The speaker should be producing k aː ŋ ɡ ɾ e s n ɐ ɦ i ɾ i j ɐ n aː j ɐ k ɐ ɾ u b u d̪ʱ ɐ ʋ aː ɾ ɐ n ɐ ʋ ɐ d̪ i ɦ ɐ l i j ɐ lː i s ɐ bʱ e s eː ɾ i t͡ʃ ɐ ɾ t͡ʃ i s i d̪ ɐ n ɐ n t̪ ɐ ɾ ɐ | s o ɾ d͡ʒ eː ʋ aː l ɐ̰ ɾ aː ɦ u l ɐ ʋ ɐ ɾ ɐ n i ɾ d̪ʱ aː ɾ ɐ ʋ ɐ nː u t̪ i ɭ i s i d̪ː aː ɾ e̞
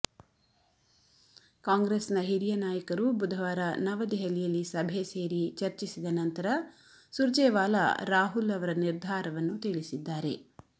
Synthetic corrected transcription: k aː ŋ ɡ ɾ e s n ɐ ɦ i ɾ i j ɐ n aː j ɐ k ɐ ɾ u b u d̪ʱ ɐ ʋ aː ɾ ɐ n ɐ ʋ ɐ d̪ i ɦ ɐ l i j ɐ lː i s ɐ bʱ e s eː ɾ i t͡ʃ ɐ ɾ t͡ʃ i s i d̪ ɐ n ɐ n t̪ ɐ ɾ ɐ | s u ɾ d͡ʒ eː ʋ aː l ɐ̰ ɾ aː ɦ u l ɐ ʋ ɐ ɾ ɐ n i ɾ d̪ʱ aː ɾ ɐ ʋ ɐ nː u t̪ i ɭ i s i d̪ː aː ɾ e̞